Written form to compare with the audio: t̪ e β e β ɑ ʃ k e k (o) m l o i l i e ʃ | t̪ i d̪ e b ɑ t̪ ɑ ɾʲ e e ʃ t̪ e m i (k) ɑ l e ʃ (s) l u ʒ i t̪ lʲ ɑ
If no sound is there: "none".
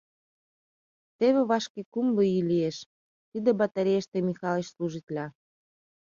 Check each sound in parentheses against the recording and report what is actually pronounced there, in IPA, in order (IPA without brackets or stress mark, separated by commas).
u, x, s